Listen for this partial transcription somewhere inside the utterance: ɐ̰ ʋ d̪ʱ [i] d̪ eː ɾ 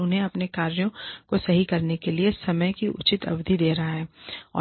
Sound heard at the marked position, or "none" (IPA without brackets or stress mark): i